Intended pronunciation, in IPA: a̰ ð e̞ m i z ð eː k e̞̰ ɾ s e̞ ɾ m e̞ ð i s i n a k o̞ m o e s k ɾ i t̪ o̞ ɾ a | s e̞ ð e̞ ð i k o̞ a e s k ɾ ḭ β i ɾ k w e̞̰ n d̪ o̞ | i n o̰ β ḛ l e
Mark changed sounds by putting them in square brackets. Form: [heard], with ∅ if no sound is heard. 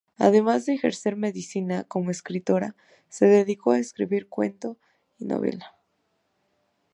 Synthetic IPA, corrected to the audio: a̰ ð e̞ m [a] z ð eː [x] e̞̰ ɾ s e̞ ɾ m e̞ ð i s i n a k o̞ m o e s k ɾ i t̪ o̞ ɾ a | s e̞ ð e̞ ð i k o̞ a e s k ɾ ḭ β i ɾ k w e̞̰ n [t̪] o̞ | i n o̰ β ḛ l [a]